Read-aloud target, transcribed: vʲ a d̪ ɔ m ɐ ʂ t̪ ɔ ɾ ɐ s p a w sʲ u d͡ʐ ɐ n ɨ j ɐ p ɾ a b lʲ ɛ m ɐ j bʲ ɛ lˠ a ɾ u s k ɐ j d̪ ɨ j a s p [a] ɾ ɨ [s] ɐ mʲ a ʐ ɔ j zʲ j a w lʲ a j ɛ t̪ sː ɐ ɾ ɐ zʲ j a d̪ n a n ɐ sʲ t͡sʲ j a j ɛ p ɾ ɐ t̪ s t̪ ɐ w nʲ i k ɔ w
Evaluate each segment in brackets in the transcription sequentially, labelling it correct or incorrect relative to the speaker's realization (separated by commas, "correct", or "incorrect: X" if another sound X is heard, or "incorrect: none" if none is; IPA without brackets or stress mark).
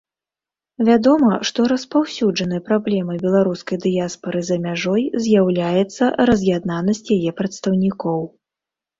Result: incorrect: ɐ, incorrect: z